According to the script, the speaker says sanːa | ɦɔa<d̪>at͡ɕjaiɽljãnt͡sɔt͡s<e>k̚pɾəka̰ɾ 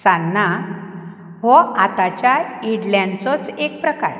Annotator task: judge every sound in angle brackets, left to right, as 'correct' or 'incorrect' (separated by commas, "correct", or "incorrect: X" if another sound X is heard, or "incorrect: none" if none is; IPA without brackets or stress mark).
incorrect: t̪, correct